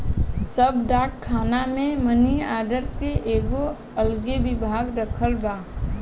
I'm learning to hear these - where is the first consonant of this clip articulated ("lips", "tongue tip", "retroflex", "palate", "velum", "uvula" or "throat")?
tongue tip